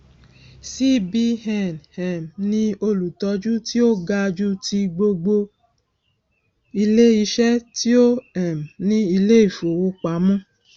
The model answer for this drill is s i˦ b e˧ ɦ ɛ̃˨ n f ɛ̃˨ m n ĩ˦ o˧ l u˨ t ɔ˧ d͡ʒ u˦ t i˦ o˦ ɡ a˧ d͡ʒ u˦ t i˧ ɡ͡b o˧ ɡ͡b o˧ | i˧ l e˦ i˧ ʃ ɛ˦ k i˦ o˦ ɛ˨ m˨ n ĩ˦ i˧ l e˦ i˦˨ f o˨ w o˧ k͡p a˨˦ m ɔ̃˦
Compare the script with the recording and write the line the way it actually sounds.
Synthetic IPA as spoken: s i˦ b i˧ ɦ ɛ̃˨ n h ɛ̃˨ m n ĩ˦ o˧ l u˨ t ɔ˧ d͡ʒ u˦ t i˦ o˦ ɡ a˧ d͡ʒ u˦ t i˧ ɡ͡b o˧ ɡ͡b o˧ | i˧ l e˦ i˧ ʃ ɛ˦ t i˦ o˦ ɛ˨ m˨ n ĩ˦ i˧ l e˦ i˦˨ f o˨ w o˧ k͡p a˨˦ m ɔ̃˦